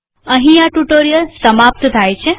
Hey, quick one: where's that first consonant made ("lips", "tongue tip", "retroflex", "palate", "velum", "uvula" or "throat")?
throat